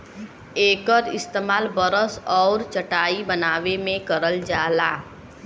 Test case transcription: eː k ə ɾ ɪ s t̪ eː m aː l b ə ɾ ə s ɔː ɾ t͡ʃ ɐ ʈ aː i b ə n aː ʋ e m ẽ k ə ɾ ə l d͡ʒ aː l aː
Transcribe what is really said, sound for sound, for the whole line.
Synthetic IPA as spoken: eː k ə ɾ ɪ s t̪ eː m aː l b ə ɾ ə s ɔː ɾ t͡ʃ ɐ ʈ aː i b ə n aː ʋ e m ẽ k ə ɾ ə l d͡ʒ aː l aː